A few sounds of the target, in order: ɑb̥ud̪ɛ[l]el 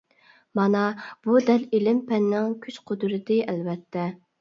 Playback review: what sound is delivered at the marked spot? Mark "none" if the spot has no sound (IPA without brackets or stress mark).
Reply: l